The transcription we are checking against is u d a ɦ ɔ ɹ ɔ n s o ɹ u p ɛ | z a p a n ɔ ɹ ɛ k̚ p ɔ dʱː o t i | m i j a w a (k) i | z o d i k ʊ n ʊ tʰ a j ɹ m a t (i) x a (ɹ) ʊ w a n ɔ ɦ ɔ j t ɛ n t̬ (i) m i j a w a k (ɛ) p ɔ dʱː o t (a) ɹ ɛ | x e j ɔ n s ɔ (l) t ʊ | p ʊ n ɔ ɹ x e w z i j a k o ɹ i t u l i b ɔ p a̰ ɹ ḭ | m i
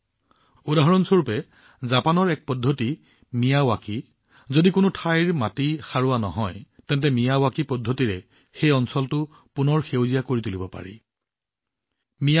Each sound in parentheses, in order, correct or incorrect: correct, correct, correct, incorrect, incorrect, incorrect, correct

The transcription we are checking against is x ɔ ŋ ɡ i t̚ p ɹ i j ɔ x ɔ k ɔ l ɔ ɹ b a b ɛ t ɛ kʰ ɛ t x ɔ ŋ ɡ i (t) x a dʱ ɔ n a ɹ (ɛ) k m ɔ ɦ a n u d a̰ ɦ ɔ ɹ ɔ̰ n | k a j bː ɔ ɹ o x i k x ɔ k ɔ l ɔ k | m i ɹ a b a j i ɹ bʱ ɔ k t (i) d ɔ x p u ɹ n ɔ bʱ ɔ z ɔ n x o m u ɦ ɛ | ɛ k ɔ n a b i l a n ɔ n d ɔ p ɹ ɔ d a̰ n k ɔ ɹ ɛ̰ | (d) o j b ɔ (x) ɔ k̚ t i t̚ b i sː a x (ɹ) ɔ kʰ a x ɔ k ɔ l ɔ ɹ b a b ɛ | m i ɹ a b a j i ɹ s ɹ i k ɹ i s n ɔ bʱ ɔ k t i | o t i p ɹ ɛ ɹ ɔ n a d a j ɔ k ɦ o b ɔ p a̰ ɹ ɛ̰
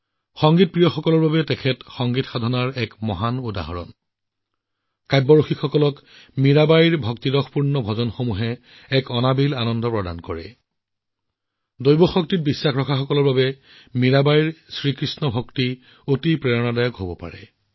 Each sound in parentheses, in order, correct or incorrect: correct, correct, correct, correct, correct, correct

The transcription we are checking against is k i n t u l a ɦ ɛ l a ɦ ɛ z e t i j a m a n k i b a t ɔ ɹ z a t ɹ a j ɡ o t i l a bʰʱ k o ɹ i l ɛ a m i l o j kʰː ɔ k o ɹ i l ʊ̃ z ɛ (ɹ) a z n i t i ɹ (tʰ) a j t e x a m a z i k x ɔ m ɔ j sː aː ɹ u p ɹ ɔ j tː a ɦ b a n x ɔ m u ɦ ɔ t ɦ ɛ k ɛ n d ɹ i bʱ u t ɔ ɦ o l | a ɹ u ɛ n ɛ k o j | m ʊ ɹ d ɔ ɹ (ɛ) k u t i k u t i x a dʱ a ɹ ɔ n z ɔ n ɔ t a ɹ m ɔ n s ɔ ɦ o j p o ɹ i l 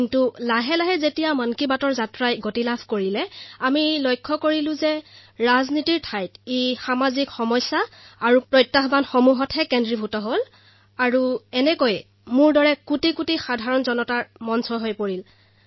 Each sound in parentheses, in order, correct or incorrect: correct, correct, correct

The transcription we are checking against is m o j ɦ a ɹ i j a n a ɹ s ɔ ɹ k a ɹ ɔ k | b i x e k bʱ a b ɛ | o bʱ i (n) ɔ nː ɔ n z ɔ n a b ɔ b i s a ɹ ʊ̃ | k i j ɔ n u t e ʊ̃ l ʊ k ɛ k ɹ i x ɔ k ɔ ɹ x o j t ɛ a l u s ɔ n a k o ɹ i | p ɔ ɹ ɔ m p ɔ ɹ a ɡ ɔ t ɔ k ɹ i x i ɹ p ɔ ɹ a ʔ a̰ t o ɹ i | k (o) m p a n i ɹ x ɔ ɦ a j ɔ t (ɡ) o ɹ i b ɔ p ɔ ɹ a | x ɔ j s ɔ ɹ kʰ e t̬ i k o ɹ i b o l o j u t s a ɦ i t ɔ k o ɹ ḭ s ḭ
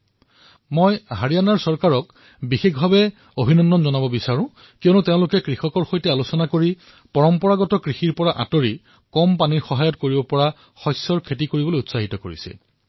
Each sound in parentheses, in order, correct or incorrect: correct, incorrect, incorrect

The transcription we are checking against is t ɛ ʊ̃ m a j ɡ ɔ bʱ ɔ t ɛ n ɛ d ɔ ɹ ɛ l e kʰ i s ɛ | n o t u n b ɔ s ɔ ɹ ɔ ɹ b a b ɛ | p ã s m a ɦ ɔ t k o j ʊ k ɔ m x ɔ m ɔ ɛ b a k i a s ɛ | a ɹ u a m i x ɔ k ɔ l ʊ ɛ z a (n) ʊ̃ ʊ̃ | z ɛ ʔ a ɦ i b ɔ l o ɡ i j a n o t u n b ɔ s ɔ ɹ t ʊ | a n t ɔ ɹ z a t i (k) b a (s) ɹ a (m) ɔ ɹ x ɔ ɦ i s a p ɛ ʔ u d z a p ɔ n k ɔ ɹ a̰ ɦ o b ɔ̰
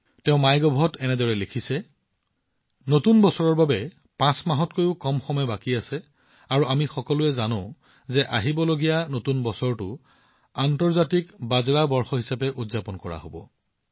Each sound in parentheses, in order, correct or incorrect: correct, correct, incorrect, incorrect

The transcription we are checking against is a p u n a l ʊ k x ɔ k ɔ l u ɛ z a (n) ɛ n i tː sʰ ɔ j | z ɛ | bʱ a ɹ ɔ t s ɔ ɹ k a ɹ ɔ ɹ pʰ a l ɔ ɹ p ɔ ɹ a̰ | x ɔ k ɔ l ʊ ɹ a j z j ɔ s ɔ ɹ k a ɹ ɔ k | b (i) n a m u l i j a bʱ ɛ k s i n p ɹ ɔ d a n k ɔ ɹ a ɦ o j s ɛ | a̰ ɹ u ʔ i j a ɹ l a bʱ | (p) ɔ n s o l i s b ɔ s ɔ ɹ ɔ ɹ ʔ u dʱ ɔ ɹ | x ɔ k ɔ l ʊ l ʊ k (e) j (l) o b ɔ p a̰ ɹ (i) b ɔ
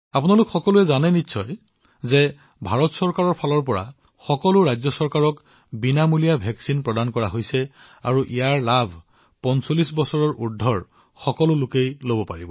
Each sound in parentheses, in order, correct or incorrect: correct, correct, correct, correct, correct, correct

